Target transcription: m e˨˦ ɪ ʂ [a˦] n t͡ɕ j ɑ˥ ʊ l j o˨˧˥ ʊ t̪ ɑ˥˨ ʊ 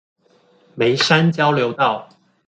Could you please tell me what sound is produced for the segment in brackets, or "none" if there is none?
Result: a˦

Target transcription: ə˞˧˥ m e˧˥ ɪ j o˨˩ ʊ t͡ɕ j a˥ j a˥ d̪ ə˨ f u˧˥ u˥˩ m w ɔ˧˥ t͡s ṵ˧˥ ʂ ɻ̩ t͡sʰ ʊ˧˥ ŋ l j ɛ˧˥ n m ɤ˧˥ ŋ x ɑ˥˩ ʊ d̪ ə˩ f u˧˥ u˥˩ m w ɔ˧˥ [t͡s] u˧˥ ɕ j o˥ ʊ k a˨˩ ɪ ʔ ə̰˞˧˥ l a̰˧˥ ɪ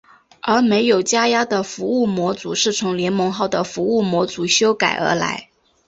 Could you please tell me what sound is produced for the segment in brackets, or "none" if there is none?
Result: t͡s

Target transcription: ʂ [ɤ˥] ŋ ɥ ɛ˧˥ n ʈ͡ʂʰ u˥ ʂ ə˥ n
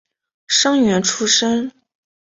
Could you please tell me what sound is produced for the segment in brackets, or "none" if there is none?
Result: ɤ˥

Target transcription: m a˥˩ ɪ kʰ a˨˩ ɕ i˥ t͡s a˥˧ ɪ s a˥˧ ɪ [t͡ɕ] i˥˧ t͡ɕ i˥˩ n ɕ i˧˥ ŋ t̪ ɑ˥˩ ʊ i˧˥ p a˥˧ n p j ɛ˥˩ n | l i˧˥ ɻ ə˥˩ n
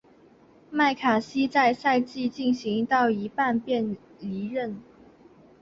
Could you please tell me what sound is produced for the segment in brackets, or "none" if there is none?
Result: t͡ɕ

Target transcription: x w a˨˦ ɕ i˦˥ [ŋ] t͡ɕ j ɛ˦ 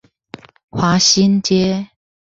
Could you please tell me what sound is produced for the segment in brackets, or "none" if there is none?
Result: n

